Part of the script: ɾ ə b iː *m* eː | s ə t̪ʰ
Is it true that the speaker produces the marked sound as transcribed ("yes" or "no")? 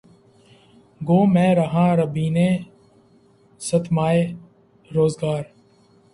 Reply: no